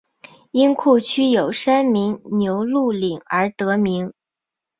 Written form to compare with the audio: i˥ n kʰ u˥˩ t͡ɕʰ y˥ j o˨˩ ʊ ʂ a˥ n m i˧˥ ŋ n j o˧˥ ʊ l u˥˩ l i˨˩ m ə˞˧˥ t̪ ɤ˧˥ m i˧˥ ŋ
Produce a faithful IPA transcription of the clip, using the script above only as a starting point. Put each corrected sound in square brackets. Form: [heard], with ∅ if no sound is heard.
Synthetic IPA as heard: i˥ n kʰ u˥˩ t͡ɕʰ y˥ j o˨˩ ʊ ʂ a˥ n m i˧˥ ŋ n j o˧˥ ʊ l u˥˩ l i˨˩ [ŋ] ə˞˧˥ t̪ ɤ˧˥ m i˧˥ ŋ